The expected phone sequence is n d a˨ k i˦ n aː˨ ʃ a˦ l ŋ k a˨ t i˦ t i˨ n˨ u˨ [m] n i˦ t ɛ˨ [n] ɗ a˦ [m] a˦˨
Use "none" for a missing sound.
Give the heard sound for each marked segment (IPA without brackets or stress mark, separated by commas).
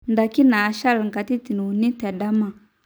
none, none, m